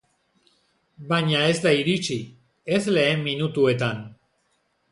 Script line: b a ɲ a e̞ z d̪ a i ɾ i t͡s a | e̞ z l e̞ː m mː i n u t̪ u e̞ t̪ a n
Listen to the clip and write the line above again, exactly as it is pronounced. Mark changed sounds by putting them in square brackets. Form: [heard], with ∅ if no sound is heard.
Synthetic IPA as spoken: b a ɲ a e̞ z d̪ a i ɾ i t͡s [i] | e̞ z l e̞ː m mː i n u t̪ u e̞ t̪ a n